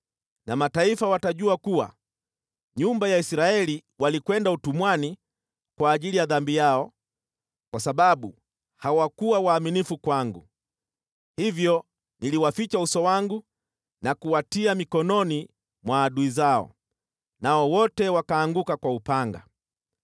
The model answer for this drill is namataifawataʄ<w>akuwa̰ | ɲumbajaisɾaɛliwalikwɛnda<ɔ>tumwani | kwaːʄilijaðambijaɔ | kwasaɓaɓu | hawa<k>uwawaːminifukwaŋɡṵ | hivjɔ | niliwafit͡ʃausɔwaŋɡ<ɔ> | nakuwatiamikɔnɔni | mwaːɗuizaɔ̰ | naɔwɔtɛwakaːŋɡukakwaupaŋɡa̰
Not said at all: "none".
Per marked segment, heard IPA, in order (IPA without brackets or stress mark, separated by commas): u, u, k, u